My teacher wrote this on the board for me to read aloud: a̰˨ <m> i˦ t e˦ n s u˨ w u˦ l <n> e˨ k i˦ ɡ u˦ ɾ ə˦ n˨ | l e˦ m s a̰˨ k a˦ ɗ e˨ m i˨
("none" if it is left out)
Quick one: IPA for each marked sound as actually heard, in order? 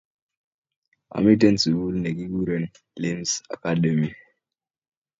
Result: m, n

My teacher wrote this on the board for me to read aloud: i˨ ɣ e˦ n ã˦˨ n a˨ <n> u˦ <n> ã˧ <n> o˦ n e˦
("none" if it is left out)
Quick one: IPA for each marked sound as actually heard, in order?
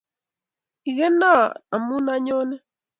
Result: m, n, ɲ

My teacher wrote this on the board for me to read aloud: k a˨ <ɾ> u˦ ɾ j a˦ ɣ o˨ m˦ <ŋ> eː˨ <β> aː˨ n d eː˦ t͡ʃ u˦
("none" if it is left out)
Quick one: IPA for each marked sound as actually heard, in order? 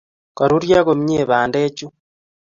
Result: ɾ, ɲ, β

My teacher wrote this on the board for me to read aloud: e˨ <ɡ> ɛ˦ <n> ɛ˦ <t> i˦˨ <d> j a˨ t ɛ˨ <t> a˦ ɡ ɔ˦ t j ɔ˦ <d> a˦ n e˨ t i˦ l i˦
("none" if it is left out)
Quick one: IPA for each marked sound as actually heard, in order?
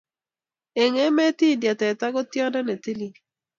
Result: ŋ, m, t, d, t, d

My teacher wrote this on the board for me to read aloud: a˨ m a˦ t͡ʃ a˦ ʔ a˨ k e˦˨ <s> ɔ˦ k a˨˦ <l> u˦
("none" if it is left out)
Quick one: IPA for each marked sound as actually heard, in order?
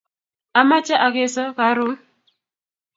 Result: s, ɾ

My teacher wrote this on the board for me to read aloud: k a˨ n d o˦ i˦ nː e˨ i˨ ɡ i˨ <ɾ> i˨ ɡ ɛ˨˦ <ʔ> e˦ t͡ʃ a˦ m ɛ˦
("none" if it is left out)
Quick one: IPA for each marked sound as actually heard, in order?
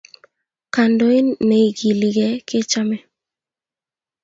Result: l, k

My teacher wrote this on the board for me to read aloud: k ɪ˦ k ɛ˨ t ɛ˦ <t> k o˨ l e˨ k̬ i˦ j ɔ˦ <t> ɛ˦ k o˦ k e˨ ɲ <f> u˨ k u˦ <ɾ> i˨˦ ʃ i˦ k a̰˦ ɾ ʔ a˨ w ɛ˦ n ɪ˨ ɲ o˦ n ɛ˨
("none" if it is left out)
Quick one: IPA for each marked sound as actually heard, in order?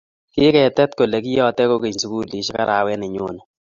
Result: t, t, s, l

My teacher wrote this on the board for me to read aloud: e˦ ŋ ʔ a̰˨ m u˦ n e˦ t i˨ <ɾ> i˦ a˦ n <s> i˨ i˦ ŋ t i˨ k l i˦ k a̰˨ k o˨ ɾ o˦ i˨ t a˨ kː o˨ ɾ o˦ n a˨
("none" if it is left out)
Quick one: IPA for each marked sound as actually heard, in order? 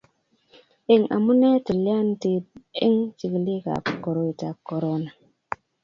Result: l, t

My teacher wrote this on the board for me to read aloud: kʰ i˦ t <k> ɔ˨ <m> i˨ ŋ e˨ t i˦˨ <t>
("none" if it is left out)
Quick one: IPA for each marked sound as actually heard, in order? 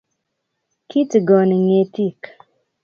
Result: ɡ, n, k

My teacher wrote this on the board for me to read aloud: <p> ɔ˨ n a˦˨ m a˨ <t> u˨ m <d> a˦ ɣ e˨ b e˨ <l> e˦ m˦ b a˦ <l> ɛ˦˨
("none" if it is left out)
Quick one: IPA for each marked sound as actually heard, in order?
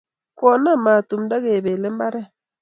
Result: k, t, d, l, ɾ

